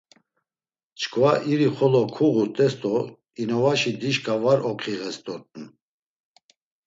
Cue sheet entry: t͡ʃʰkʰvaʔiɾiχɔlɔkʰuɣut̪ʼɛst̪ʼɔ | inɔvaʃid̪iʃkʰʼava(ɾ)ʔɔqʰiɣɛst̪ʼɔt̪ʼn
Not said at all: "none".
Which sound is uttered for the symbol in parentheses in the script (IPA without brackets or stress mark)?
ɾ